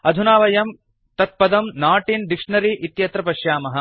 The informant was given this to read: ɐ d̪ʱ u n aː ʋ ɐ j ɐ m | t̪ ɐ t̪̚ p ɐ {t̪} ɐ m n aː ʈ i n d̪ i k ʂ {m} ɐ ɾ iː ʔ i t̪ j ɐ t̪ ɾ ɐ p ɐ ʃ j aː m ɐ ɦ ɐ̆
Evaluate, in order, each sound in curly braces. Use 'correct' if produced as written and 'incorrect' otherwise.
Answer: incorrect: d̪, incorrect: ɳ

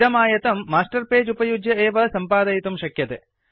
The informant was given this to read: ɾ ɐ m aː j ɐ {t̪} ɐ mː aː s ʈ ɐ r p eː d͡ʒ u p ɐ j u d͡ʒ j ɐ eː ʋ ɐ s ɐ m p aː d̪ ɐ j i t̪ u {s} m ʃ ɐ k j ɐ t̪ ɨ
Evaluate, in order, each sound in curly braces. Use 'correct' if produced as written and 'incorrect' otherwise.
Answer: correct, incorrect: none

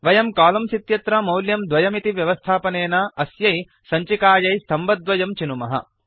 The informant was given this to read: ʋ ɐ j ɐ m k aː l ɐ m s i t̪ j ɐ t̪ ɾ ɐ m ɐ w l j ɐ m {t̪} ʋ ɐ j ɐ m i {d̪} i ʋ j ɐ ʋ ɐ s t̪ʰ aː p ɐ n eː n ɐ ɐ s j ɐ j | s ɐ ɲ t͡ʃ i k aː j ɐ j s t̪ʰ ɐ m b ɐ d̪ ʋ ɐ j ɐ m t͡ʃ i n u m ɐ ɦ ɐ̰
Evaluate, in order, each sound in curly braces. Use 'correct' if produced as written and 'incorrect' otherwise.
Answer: incorrect: d̪, incorrect: t̪

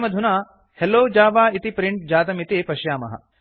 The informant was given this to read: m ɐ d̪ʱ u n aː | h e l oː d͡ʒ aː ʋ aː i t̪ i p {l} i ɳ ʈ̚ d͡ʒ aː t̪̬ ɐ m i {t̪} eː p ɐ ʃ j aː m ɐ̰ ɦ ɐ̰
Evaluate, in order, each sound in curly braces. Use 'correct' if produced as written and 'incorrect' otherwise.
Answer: incorrect: ɾ, correct

